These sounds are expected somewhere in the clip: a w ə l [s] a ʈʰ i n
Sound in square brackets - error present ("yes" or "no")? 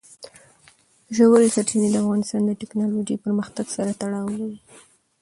no